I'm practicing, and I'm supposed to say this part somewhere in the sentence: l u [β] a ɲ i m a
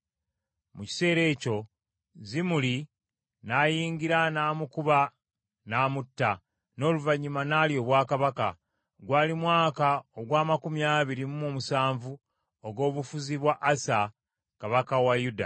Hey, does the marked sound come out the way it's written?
no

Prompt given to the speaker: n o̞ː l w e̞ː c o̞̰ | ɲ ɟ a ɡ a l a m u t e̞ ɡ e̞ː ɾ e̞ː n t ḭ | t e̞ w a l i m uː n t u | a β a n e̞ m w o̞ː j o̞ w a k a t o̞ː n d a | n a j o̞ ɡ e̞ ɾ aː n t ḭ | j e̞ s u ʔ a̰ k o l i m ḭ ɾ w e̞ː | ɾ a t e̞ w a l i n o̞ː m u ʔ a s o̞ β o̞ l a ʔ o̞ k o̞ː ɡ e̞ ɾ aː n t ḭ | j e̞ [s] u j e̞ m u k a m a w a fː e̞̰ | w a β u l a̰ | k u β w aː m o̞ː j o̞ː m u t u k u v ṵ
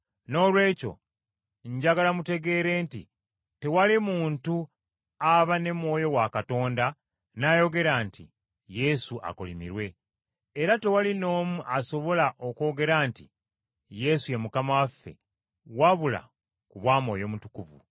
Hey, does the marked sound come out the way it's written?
yes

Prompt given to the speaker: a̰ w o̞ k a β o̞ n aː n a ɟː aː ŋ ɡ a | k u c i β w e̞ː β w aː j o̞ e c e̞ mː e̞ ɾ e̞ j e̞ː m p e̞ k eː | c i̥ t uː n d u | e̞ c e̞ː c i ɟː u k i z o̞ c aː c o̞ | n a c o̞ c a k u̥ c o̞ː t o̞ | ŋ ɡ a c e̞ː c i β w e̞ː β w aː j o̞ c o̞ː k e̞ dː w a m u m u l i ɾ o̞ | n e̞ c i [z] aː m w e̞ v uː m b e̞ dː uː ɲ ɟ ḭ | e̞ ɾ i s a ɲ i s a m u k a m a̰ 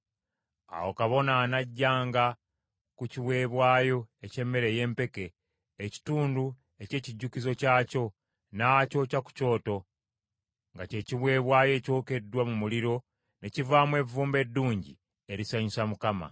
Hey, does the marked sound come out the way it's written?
no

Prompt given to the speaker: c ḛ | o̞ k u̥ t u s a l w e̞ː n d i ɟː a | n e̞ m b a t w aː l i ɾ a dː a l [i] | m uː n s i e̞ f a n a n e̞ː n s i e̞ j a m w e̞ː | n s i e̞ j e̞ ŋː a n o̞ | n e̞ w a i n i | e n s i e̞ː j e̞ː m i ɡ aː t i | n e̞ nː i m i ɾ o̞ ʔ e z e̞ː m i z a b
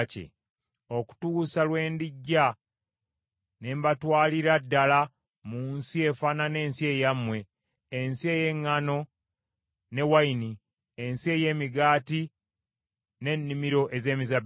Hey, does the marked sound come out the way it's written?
no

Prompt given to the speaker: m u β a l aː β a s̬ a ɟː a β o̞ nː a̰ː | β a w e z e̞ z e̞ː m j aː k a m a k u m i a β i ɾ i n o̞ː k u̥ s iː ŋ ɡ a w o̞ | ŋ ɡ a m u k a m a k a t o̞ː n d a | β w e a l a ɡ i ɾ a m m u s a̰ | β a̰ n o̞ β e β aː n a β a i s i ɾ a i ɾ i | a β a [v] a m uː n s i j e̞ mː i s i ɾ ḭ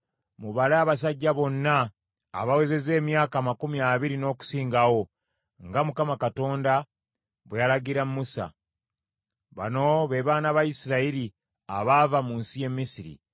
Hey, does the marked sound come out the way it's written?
yes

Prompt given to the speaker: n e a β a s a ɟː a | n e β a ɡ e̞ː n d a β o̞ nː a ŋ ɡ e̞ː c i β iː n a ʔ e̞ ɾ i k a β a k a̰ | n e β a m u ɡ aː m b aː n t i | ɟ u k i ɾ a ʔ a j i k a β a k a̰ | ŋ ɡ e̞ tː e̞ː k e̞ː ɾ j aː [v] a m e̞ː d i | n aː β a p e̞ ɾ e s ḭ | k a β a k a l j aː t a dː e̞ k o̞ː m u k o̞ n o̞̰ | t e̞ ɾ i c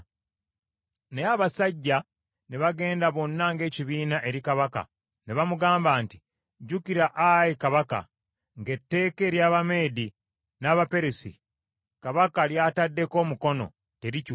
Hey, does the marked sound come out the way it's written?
no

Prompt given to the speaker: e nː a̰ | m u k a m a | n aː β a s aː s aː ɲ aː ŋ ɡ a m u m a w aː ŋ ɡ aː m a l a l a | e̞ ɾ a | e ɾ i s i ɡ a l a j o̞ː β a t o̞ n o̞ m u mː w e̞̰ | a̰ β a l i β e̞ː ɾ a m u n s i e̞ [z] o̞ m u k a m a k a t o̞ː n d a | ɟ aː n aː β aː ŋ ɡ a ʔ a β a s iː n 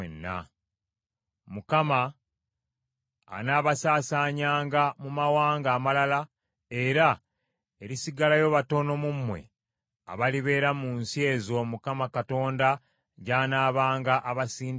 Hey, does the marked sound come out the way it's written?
yes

